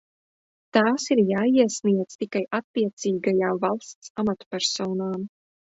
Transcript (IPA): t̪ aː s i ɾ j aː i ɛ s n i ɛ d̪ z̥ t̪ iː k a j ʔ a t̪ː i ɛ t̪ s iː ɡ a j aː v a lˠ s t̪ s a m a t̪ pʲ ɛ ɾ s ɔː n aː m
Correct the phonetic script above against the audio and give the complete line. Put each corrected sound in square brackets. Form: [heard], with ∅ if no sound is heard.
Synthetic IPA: t̪ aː s i ɾ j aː i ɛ s n i ɛ d̪ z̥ t̪ [i] k a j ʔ a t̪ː i ɛ t̪ s iː ɡ a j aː v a lˠ s t̪ s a m a t̪ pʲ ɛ ɾ s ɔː n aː m